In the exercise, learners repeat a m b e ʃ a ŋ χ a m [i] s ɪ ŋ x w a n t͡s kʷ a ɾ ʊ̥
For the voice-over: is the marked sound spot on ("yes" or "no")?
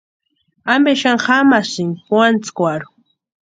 no